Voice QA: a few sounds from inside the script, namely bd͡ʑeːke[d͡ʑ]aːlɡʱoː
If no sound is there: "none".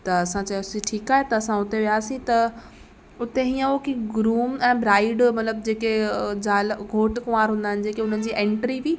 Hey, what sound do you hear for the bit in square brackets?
d͡ʑ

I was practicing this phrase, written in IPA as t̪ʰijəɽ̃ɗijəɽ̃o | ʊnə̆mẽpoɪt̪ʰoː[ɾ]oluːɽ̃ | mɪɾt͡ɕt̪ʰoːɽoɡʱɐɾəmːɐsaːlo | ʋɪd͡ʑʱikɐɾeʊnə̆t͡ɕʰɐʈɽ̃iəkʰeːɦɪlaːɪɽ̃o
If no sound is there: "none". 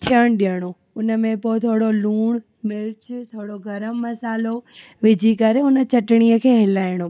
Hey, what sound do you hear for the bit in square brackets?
ɽ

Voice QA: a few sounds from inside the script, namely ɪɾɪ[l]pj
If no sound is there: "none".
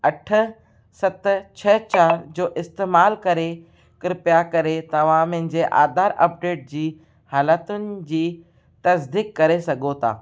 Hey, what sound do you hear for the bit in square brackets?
none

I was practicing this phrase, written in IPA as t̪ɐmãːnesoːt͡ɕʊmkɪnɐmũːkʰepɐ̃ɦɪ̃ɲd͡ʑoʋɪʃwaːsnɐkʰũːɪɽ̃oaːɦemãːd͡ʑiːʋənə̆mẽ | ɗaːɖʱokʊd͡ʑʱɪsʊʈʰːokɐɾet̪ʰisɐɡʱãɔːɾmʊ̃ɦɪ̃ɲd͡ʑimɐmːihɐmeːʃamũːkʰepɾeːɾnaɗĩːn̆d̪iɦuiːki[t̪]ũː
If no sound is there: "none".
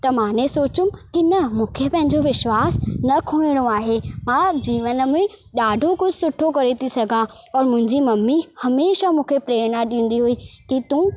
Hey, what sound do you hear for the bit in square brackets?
t̪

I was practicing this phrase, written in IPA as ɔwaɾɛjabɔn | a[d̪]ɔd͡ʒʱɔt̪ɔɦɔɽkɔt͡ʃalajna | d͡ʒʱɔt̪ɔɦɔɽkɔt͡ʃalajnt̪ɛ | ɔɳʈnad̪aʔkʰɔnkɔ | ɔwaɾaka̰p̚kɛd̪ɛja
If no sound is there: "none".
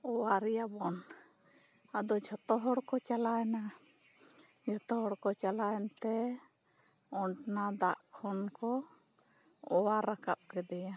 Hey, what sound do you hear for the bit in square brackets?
d̪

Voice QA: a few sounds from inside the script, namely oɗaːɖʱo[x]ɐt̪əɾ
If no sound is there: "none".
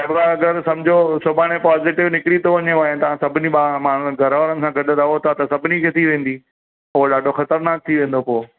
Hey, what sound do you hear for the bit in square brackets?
x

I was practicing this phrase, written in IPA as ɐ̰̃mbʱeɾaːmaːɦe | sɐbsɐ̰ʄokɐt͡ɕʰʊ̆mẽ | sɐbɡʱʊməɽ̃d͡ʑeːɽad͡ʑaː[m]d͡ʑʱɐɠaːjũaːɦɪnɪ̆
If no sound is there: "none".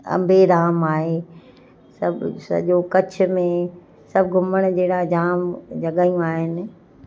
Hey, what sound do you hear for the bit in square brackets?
m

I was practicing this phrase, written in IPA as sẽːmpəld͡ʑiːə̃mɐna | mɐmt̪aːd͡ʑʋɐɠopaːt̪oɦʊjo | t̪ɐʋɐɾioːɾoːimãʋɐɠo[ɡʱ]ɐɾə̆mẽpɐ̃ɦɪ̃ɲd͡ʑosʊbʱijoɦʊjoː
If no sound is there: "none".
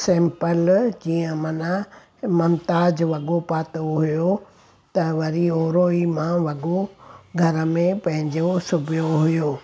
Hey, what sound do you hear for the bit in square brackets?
ɡʱ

